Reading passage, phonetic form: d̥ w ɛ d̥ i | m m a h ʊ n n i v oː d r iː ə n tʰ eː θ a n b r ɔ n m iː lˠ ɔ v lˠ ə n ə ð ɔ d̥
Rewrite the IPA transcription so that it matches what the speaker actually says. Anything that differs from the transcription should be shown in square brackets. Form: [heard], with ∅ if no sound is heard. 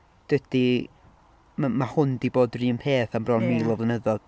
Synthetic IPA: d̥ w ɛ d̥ i | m m a h ʊ n [d] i [b] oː d r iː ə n [pʰ] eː θ a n b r ɔ n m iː lˠ ɔ v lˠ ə n ə ð ɔ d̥